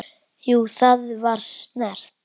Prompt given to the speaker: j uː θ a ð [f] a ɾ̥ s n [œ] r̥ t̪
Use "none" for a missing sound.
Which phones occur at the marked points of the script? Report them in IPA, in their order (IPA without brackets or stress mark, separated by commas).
v, ɛ